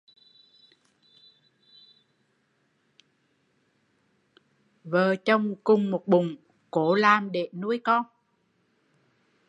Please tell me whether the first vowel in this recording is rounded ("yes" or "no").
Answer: no